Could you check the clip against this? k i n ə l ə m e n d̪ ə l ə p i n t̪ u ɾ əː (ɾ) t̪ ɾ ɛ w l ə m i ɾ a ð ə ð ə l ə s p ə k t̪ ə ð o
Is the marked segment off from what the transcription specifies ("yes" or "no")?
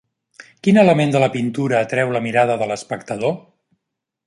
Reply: yes